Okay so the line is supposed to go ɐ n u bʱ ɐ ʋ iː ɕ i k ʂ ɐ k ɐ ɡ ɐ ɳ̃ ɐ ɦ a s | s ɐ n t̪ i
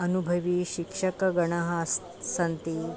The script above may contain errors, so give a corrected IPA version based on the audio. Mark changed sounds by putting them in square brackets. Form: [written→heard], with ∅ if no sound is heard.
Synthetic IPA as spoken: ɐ n u bʱ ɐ ʋ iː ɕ i k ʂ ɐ k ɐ ɡ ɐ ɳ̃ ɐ ɦ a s | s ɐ n t̪ i